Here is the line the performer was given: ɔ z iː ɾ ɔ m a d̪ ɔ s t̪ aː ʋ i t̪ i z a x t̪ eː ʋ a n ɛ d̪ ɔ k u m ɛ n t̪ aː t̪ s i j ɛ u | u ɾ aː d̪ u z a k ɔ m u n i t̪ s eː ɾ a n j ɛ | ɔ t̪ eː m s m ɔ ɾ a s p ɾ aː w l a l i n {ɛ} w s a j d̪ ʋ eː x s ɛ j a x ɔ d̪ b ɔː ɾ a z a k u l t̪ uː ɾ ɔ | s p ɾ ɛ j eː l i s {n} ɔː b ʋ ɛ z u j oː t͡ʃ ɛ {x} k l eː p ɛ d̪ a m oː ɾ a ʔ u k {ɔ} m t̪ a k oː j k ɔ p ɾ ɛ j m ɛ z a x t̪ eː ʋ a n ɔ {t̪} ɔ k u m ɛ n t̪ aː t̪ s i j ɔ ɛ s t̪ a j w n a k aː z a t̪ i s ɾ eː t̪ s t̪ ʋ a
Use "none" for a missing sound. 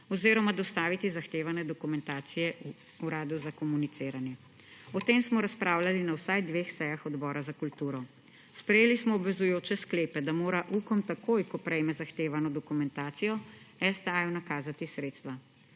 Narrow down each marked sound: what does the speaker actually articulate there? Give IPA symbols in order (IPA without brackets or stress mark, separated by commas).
a, m, s, ɔ, d̪